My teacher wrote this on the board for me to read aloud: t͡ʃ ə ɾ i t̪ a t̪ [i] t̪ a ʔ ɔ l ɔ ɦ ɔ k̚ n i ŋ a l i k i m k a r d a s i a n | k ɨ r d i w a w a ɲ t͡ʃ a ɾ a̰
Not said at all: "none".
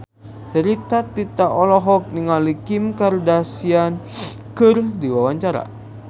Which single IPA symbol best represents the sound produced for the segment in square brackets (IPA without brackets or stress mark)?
i